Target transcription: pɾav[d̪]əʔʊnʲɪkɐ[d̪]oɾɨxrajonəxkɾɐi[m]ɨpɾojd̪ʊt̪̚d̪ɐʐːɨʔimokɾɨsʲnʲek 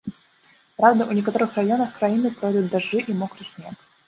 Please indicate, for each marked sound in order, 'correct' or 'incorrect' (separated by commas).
correct, incorrect, incorrect